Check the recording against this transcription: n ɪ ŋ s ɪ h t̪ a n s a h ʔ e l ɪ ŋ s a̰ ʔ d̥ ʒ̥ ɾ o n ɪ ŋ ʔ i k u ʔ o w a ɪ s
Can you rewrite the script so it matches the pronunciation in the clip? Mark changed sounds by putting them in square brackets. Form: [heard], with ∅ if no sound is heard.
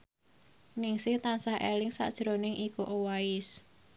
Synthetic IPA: n ɪ ŋ s ɪ h t̪ a n s a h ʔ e l ɪ ŋ s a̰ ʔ d̥ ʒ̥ ɾ o n ɪ ŋ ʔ i k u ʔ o w a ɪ s

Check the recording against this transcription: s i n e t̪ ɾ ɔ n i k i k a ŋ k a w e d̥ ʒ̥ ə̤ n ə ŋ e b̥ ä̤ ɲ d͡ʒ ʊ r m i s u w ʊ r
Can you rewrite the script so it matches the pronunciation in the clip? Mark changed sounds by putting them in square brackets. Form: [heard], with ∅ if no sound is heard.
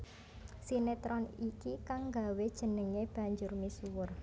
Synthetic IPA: s i n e t̪ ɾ ɔ n i k i k a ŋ [ɡ] a w e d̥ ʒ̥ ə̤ n ə ŋ e b̥ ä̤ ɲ d͡ʒ ʊ r m i s u w ʊ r

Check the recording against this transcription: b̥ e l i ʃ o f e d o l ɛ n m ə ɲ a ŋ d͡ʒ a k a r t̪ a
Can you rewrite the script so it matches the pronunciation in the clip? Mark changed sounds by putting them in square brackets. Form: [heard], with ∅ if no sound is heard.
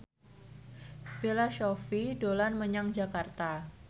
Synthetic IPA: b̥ e l [a] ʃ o f [i] d o l [a] n m ə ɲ a ŋ d͡ʒ a k a r t̪ a

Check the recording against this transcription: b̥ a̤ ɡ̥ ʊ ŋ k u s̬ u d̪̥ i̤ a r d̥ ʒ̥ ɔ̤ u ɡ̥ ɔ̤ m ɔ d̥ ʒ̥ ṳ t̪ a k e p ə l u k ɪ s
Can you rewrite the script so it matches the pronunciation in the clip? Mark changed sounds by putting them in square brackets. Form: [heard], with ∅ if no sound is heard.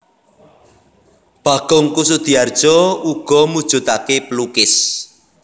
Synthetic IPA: b̥ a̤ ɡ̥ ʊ ŋ k u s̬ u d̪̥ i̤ a r d̥ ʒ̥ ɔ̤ u ɡ̥ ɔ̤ m [u] d̥ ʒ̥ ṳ t̪ a k e p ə l u k ɪ s

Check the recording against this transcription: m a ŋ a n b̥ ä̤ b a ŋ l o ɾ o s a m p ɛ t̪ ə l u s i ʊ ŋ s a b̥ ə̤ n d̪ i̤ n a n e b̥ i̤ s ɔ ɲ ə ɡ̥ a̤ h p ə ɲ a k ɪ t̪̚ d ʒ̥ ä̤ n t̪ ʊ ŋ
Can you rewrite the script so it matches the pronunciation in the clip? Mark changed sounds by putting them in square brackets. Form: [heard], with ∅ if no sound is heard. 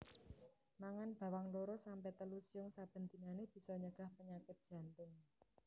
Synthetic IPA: m a ŋ a n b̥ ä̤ [w] a ŋ l o ɾ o s a m p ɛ t̪ ə l u s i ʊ ŋ s a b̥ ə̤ n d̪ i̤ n a n e b̥ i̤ s ɔ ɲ ə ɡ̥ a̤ h p ə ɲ a k ɪ t̪̚ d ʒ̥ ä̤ n t̪ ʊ ŋ

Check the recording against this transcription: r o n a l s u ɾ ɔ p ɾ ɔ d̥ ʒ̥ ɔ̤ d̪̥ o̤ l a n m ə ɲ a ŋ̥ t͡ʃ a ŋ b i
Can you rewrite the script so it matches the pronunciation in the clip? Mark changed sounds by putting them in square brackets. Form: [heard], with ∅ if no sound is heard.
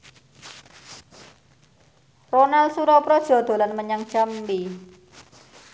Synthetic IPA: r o n a l s u ɾ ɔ p ɾ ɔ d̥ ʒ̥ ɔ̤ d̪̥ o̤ l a n m ə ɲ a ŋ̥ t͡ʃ a [m] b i

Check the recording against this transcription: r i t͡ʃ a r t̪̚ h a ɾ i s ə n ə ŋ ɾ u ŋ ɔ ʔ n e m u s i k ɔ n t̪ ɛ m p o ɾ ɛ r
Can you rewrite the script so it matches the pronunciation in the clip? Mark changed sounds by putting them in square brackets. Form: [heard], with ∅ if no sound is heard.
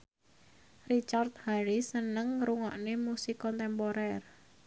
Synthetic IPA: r i t͡ʃ a r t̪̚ h a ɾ i s ə n ə ŋ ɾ u ŋ ɔ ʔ n e m u s i k ɔ n t̪ ɛ m p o ɾ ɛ r

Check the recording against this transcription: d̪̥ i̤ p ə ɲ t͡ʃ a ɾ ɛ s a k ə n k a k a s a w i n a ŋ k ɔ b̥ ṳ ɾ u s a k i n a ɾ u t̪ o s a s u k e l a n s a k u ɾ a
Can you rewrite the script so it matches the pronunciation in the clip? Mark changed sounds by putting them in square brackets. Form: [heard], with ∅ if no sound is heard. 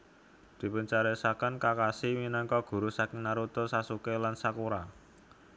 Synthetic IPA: d̪̥ i̤ p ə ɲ t͡ʃ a ɾ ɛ s a k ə n k a k a s [i] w i n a ŋ k ɔ [ɡ̥] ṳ ɾ u s a k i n a ɾ u t̪ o s a s u k e l a n s a k u ɾ a

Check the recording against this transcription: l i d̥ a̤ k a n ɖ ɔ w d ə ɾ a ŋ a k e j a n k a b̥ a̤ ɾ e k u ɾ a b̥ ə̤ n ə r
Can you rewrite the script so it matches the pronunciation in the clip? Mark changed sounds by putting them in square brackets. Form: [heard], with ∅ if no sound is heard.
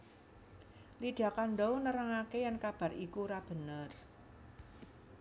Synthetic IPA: l i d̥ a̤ k a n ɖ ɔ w [n] ə ɾ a ŋ a k e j a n k a b̥ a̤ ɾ [i] k u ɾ a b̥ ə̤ n ə r

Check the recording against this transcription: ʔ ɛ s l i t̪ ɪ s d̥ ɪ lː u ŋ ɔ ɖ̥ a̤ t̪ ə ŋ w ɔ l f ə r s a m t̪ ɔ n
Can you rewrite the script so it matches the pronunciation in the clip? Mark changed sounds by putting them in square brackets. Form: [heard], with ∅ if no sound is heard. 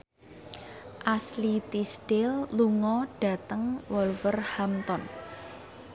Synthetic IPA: ʔ [a] s l i t̪ [i] s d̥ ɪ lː u ŋ ɔ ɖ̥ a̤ t̪ ə ŋ w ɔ l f ə r [h] a m t̪ ɔ n

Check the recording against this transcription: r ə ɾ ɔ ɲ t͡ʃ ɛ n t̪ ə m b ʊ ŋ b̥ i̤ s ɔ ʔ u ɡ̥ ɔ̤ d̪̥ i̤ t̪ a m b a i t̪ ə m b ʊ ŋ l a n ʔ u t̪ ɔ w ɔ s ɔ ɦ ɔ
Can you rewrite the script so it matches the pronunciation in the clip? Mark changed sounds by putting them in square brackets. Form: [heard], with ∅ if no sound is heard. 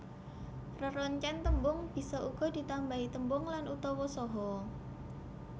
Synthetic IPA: r ə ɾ ɔ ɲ t͡ʃ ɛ n t̪ ə m b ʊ ŋ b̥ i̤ s ɔ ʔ u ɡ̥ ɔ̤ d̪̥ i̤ t̪ a m b a i t̪ ə m b ʊ ŋ l a n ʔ u t̪ ɔ w ɔ s ɔ ɦ ɔ

